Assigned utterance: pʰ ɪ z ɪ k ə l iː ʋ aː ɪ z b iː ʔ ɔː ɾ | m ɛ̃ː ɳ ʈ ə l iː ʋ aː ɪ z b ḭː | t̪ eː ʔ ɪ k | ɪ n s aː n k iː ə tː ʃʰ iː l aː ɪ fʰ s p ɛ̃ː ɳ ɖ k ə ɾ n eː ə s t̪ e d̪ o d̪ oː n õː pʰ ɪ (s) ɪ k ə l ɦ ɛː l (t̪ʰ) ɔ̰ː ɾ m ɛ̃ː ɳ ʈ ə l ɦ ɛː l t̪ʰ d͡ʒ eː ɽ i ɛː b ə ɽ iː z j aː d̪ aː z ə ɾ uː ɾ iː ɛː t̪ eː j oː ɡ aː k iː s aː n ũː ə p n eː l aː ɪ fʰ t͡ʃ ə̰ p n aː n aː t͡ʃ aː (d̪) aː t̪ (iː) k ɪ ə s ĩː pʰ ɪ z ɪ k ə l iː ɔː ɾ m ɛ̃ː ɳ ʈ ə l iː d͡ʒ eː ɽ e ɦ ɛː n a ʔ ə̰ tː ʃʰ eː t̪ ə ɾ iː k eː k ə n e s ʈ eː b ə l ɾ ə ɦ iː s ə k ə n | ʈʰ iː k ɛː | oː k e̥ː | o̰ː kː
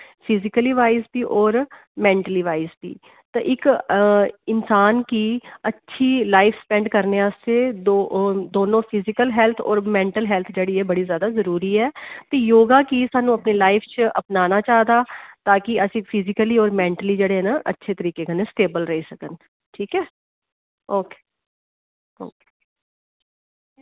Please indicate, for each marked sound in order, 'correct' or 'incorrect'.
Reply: incorrect: z, correct, correct, incorrect: aː

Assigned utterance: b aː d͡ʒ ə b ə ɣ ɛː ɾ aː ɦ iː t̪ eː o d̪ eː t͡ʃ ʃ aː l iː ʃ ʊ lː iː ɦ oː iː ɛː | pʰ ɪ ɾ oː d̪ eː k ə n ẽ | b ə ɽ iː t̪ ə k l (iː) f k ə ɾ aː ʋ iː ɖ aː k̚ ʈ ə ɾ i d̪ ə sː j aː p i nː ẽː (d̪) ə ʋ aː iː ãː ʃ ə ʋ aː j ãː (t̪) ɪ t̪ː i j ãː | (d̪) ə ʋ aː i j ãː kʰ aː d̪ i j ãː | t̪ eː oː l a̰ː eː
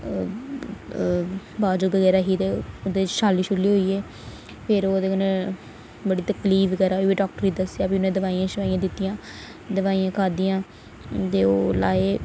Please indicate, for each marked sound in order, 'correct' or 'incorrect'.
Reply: correct, correct, incorrect: d̪, correct

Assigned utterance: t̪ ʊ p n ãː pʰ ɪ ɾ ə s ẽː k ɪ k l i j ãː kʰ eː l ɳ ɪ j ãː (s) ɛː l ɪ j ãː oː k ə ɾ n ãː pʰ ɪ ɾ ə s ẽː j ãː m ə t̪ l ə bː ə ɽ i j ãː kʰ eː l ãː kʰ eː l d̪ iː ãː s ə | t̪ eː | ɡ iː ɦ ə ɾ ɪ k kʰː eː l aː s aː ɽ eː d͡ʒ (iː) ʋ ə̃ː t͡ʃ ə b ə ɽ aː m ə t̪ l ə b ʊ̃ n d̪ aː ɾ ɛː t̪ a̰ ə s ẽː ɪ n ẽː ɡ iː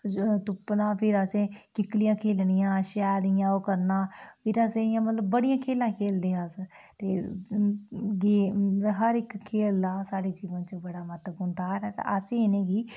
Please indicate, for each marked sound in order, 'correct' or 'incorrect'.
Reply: incorrect: ʃ, correct

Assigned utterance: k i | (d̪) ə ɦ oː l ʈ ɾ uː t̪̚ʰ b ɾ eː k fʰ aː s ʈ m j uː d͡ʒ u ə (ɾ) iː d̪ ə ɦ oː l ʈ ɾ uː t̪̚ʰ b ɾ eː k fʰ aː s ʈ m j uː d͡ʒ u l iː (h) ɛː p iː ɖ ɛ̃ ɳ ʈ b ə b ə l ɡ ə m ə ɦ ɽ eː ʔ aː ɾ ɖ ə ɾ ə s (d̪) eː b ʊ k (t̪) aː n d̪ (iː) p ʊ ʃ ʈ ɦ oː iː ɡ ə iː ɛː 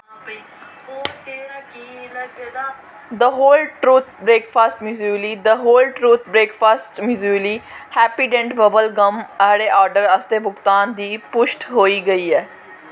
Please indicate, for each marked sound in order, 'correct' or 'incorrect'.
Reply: correct, incorrect: l, correct, incorrect: t̪, correct, correct

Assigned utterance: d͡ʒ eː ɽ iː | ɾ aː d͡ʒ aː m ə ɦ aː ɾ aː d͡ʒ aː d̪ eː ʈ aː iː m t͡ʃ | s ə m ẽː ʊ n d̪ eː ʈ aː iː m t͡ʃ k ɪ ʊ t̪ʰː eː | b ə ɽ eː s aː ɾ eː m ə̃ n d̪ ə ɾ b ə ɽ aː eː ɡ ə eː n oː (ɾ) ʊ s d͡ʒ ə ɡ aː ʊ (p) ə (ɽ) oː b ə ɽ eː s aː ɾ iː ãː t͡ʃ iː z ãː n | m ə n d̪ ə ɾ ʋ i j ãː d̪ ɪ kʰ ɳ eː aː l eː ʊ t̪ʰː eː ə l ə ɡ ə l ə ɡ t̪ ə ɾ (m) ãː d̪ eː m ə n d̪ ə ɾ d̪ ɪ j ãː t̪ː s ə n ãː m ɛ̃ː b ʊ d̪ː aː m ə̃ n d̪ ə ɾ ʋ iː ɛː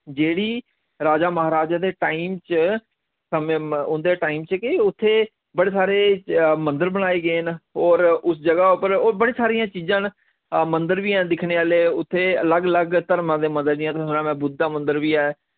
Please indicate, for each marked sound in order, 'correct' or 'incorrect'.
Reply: correct, correct, incorrect: ɾ, correct

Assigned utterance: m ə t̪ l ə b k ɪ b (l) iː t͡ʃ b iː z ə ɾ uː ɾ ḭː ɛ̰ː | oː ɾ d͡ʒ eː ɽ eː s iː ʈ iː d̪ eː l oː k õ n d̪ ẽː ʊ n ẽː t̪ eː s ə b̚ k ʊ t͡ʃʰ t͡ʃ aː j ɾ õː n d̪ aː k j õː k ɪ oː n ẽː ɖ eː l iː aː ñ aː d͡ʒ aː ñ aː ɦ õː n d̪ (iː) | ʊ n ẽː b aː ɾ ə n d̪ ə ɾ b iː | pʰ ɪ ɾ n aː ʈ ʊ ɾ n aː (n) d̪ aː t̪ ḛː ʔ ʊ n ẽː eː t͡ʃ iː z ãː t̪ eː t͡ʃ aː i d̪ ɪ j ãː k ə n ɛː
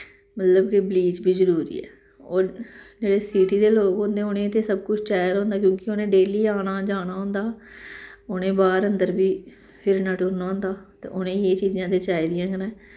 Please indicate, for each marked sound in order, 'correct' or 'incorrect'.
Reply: correct, incorrect: aː, correct

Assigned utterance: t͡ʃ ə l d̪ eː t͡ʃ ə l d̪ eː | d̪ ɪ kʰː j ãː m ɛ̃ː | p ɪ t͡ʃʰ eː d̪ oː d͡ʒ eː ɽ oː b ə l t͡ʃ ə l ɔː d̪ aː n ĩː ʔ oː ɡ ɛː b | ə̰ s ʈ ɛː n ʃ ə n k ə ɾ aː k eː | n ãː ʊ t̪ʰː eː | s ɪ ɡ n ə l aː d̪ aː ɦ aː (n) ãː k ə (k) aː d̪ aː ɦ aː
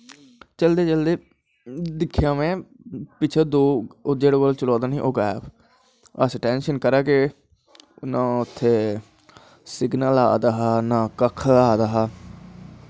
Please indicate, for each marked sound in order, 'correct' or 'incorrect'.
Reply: correct, incorrect: kʰ

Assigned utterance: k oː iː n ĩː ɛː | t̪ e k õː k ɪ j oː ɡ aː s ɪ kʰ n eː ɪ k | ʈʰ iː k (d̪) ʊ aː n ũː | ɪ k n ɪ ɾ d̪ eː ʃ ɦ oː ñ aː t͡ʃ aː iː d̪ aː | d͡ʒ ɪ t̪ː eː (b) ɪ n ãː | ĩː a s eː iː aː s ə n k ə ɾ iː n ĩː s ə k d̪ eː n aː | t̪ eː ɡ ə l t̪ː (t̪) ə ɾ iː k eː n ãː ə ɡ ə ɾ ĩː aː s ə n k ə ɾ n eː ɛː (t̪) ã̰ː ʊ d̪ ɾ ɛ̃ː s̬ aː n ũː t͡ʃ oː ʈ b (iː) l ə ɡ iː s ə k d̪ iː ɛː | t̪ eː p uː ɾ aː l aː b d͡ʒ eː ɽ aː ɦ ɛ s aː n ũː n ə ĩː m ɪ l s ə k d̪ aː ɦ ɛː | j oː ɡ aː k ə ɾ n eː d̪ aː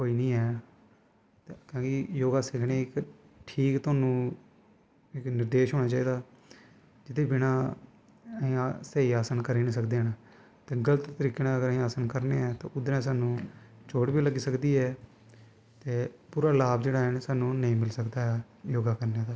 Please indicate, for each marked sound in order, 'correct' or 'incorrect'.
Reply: incorrect: t̪, correct, correct, correct, correct

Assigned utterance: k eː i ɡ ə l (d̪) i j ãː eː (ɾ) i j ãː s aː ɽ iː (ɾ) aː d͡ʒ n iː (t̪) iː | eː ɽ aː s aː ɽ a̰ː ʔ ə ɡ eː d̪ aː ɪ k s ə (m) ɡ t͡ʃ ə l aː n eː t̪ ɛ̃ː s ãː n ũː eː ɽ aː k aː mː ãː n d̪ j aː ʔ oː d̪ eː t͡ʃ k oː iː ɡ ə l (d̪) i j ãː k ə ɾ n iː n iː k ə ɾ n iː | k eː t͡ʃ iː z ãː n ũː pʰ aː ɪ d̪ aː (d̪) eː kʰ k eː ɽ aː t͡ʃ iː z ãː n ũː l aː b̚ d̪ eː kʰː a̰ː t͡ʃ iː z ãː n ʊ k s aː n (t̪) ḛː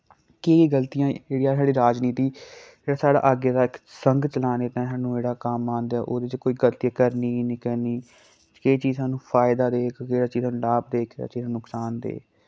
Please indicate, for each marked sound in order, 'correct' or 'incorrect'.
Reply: incorrect: t̪, incorrect: ɽ, correct, correct, incorrect: ŋ, incorrect: t̪, correct, incorrect: d̪

